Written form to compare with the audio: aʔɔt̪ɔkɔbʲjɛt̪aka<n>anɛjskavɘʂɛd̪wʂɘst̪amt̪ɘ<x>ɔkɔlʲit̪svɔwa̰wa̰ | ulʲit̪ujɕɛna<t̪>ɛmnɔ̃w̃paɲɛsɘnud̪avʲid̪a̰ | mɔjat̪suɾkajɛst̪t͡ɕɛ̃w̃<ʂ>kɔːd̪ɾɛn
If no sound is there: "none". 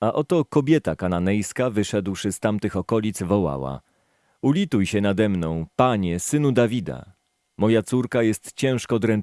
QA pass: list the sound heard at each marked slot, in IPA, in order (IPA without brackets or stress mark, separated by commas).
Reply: n, x, d̪, ʂ